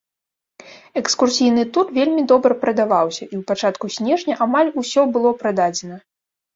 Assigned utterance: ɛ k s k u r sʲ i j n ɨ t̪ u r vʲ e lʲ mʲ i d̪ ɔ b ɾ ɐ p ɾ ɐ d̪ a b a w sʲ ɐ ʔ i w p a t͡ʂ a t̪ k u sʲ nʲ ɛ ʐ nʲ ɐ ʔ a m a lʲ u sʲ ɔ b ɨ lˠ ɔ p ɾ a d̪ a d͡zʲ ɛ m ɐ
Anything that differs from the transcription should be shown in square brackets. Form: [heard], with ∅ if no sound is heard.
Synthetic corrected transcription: ɛ k s k u r sʲ i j n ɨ t̪ u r vʲ e lʲ mʲ i d̪ ɔ b ɾ ɐ p ɾ ɐ d̪ a [v] a w sʲ ɐ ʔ i w p a t͡ʂ a t̪ k u sʲ nʲ ɛ ʐ nʲ ɐ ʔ a m a lʲ u sʲ ɔ b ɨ lˠ ɔ p ɾ a d̪ a d͡zʲ ɛ [n] ɐ

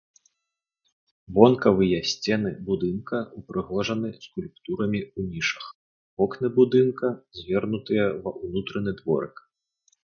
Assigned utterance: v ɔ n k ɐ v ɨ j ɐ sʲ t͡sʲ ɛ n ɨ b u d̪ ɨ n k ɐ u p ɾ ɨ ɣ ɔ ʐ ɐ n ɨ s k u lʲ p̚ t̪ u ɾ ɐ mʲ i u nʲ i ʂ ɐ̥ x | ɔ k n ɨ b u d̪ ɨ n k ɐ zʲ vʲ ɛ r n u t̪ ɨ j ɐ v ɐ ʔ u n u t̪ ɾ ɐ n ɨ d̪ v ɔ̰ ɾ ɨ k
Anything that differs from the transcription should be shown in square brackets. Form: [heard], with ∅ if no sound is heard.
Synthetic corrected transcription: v ɔ n k ɐ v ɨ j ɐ sʲ t͡sʲ ɛ n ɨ b u d̪ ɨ n k ɐ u p ɾ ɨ ɣ ɔ ʐ ɐ n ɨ s k u lʲ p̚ t̪ u ɾ ɐ mʲ i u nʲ i ʂ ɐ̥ x | ɔ k n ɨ b u d̪ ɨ n k ɐ zʲ vʲ ɛ r n u t̪ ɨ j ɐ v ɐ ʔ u n u t̪ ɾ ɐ n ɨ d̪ v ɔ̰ ɾ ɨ k

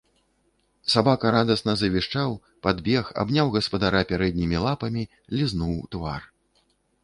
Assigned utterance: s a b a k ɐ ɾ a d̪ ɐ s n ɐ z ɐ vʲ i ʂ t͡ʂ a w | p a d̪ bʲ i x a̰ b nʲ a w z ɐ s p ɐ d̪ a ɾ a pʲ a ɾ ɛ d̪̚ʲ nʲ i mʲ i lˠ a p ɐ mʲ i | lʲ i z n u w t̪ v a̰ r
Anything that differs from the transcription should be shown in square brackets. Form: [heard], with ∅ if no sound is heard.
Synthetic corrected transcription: s a b a k ɐ ɾ a d̪ ɐ s n ɐ z ɐ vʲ i ʂ t͡ʂ a w | p a d̪ bʲ [ɛ] x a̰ b nʲ a w [ɣ] ɐ s p ɐ d̪ a ɾ a pʲ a ɾ ɛ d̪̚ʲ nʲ i mʲ i lˠ a p ɐ mʲ i | lʲ i z n u w t̪ v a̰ r

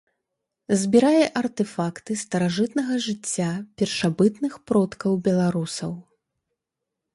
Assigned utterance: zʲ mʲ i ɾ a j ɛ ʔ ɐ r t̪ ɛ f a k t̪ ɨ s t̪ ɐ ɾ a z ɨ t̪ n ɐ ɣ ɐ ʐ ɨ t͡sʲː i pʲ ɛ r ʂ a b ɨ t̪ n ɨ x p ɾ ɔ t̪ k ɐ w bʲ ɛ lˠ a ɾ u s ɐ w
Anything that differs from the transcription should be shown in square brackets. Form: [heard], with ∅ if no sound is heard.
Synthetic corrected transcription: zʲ [bʲ] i ɾ a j ɛ ʔ ɐ r t̪ ɛ f a k t̪ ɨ s t̪ ɐ ɾ a [ʐ] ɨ t̪ n ɐ ɣ ɐ ʐ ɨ t͡sʲː [a] pʲ ɛ r ʂ a b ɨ t̪ n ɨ x p ɾ ɔ t̪ k ɐ w bʲ ɛ lˠ a ɾ u s ɐ w

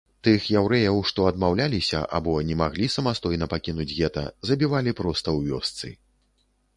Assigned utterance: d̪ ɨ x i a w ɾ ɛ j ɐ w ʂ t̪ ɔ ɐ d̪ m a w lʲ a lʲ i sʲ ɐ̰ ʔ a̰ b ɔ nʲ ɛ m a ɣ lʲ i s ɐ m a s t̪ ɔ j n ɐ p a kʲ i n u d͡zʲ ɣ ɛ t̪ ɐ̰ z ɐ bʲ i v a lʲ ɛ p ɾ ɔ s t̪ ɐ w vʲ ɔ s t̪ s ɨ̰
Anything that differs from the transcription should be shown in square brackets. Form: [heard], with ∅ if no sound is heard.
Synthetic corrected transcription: [t̪] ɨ x [j] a w ɾ ɛ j ɐ w ʂ t̪ ɔ ɐ d̪ m a w lʲ a lʲ i sʲ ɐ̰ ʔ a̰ b ɔ nʲ ɛ m a ɣ lʲ i s ɐ m a s t̪ ɔ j n ɐ p a kʲ i n u d͡zʲ ɣ ɛ t̪ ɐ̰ z ɐ bʲ i v a lʲ [i] p ɾ ɔ s t̪ ɐ w vʲ ɔ s t̪ s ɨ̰

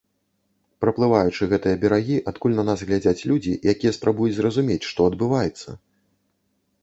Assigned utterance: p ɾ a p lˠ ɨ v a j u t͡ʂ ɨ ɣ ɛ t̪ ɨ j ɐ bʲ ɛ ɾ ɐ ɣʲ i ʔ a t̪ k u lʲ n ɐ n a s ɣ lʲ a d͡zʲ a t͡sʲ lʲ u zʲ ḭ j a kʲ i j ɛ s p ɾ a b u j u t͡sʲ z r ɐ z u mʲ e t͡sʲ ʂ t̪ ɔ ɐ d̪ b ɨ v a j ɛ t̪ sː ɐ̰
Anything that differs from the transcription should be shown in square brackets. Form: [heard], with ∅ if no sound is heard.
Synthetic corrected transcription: p ɾ [ɐ] p lˠ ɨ v a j u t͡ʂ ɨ ɣ ɛ t̪ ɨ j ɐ bʲ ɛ ɾ [a] ɣʲ i ʔ a t̪ k u lʲ n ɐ n a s ɣ lʲ a d͡zʲ a t͡sʲ lʲ u [d͡zʲ] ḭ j a kʲ i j ɛ s p ɾ a b u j u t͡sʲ z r ɐ z u mʲ e t͡sʲ ʂ t̪ ɔ ɐ d̪ b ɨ v a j ɛ t̪ sː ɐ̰

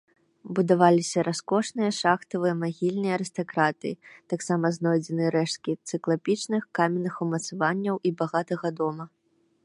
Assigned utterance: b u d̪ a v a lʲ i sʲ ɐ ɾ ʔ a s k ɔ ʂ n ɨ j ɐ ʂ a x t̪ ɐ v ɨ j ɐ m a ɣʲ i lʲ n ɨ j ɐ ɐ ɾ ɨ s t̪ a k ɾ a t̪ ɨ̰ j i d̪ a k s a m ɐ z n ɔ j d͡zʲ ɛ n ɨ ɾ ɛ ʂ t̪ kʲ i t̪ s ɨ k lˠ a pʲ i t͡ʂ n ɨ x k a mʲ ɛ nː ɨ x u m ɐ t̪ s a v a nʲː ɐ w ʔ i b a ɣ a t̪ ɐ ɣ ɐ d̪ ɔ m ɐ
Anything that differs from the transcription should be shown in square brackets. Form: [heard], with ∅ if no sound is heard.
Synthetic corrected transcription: b u d̪ a v a lʲ i sʲ ɐ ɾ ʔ a s k ɔ ʂ n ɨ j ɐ ʂ a x t̪ ɐ v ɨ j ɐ m a ɣʲ i lʲ n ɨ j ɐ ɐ ɾ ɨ s t̪ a k ɾ a t̪ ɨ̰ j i [t̪] a k s a m ɐ z n ɔ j d͡zʲ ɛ n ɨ ɾ ɛ ʂ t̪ kʲ i t̪ s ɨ k lˠ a pʲ i t͡ʂ n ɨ x k a mʲ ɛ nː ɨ x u m ɐ t̪ s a v a nʲː ɐ w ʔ i b a ɣ a t̪ ɐ ɣ ɐ d̪ ɔ m ɐ

